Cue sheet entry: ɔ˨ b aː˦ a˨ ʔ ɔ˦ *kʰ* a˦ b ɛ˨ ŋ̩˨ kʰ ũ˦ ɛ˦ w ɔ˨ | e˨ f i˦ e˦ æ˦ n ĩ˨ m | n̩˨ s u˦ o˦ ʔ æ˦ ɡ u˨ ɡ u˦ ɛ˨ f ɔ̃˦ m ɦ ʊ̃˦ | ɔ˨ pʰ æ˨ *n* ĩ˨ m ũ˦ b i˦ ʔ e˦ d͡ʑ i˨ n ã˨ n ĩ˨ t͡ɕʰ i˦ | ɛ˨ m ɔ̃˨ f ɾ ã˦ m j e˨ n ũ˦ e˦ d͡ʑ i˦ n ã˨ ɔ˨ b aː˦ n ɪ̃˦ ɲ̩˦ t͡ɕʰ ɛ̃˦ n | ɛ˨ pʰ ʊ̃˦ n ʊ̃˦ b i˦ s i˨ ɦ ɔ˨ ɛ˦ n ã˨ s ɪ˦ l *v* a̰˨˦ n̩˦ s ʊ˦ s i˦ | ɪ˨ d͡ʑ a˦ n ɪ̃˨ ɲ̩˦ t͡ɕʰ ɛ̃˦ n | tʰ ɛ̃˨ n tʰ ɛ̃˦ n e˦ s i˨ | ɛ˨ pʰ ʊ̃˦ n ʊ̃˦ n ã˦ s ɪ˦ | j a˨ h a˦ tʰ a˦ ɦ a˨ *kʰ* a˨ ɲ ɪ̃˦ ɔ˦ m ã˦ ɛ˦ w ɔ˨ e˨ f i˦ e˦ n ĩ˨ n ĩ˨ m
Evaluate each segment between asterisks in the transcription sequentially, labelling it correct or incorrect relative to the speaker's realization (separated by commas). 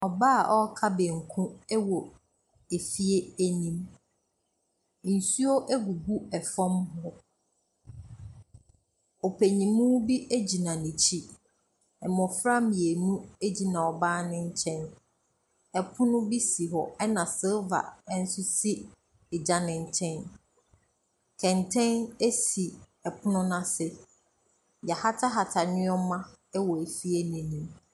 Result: correct, incorrect, correct, incorrect